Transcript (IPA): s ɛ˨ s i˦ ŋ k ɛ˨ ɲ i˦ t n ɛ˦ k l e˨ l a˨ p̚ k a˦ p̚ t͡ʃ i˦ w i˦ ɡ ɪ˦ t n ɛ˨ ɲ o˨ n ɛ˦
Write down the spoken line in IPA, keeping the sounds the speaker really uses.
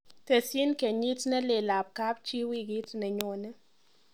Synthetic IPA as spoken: t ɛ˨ s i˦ n k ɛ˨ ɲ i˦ t n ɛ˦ l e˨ l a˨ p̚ k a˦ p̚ t͡ʃ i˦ w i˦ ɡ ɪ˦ t n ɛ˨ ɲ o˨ n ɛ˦